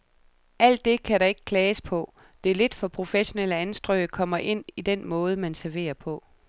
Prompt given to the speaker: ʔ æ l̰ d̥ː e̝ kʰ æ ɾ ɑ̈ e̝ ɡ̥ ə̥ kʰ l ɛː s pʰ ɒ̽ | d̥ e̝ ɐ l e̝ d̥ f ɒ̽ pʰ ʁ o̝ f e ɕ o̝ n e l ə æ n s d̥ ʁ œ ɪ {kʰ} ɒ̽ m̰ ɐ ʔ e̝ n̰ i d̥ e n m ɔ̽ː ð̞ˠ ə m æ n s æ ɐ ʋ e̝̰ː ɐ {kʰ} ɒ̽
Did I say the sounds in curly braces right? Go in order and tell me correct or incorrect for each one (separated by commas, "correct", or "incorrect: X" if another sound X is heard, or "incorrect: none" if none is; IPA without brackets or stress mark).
correct, incorrect: pʰ